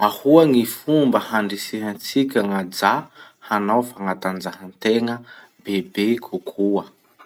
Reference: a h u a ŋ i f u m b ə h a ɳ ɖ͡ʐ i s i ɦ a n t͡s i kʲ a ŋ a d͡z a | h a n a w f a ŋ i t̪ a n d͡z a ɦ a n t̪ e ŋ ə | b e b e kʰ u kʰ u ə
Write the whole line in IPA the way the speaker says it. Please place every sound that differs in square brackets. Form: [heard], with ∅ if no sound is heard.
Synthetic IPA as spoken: a h u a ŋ i f u m b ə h a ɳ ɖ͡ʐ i s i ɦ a n t͡s i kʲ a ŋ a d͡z a | h a n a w f a ŋ [a] t̪ a n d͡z a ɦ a n t̪ e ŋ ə | b e b e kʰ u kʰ u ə

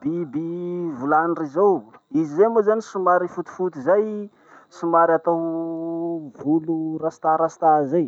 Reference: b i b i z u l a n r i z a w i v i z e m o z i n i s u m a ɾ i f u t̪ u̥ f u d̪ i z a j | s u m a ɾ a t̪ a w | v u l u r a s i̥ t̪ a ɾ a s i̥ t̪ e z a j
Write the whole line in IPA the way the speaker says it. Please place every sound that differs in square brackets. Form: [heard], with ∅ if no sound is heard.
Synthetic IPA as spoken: b i b i [v] u l a n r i z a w i [z] i z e m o z [a] n i s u m a ɾ i f u t̪ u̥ f u [t̪] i z a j | s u m a ɾ a t̪ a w | v u l u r a s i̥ t̪ a ɾ a s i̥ t̪ [a] z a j

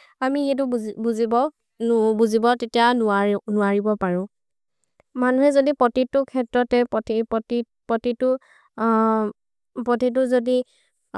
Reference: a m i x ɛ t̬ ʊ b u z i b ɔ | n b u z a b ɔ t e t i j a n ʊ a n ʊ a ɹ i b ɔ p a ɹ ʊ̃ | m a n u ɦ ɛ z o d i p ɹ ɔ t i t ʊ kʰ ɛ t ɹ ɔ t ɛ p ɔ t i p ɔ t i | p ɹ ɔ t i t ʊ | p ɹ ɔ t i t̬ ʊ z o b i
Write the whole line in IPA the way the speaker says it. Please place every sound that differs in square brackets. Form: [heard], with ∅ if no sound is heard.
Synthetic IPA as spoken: a m i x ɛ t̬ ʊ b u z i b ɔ | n b u z [i] b ɔ t e t i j a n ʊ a n ʊ a ɹ i b ɔ p a ɹ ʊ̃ | m a n u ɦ ɛ z o d i p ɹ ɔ t i t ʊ kʰ ɛ t ɹ ɔ t ɛ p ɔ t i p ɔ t i | p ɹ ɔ t i t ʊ | p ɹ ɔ t i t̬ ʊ z o [d] i

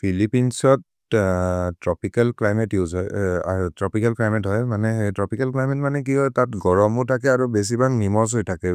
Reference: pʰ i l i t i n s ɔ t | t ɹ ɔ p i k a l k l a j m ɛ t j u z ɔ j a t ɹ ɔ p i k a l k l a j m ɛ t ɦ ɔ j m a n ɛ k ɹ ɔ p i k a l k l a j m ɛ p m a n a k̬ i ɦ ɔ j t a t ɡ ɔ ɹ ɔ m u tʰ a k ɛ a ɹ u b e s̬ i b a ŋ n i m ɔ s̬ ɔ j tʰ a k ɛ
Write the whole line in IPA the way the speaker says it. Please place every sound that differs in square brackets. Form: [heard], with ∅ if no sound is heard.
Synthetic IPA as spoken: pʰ i l i [p] i n s ɔ t | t ɹ ɔ p i k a l k l a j m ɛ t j u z ɔ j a t ɹ ɔ p i k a l k l a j m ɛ t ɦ ɔ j m a n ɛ [t] ɹ ɔ p i k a l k l a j m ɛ [t] m a n [ɛ] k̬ i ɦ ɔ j t a t ɡ ɔ ɹ ɔ m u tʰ a k ɛ a ɹ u b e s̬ i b a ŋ n i m ɔ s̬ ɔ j tʰ a k ɛ

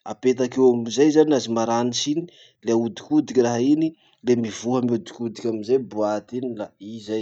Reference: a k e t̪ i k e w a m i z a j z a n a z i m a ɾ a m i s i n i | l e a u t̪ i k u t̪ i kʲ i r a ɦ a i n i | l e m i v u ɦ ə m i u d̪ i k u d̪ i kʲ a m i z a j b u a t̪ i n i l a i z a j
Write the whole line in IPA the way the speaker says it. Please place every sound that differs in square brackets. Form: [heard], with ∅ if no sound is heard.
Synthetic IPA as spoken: a [p] e t̪ [a] k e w a m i z a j z a n a z i m a ɾ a [n] i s i n i | l e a u [d̪] i k u [d̪] i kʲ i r a ɦ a i n i | l e m i v u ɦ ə m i u d̪ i k u d̪ i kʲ a m i z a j b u a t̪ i n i l a i z a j

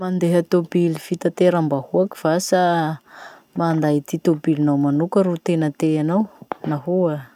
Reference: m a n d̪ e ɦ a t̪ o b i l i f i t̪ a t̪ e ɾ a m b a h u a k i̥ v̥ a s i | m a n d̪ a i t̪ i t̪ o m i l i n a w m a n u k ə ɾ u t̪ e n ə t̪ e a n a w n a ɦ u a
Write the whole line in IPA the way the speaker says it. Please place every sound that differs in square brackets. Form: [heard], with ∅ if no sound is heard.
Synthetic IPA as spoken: m a n d̪ e ɦ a t̪ o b i l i f i t̪ a t̪ e ɾ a m b a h u a k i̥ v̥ a s [a] | m a n d̪ a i t̪ i t̪ o [b] i l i n a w m a n u k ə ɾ u t̪ e n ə t̪ e a n a w n a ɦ u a

